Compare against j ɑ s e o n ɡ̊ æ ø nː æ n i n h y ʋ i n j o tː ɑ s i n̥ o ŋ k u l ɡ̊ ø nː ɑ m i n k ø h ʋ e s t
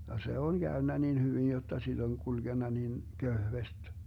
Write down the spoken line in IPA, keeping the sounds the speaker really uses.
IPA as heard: j ɑ s e o n ɡ̊ æ ø nː æ n i n h y ʋ i n j o tː ɑ s i d̥ o ŋ k u l ɡ̊ e nː ɑ n i n k ø h ʋ e s t